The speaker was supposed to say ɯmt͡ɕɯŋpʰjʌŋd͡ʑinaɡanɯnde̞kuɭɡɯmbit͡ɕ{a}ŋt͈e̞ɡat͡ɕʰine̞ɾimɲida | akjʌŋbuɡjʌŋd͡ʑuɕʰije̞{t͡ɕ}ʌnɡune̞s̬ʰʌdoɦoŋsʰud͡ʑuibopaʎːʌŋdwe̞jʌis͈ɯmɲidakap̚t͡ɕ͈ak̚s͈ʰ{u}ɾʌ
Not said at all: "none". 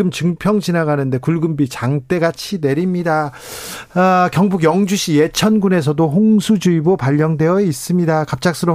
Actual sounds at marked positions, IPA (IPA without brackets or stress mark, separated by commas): a, t͡ɕʰ, ɯ